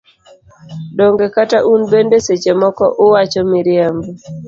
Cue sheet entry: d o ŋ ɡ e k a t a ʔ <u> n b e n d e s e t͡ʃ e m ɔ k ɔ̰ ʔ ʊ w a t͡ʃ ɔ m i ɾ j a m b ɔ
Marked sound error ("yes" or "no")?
no